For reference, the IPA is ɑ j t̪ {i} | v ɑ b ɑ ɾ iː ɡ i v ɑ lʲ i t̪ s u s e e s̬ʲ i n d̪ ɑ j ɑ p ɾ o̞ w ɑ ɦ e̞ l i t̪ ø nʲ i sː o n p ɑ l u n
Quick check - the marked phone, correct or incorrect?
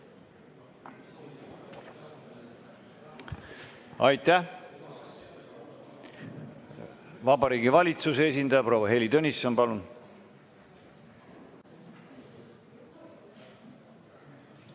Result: incorrect